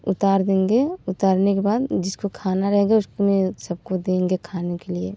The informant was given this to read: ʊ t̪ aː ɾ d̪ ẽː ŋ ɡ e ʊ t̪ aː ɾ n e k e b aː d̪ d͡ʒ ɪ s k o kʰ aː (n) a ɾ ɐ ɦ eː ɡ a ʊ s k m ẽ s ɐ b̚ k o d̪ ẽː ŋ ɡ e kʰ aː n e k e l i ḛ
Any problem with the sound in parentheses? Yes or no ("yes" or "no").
no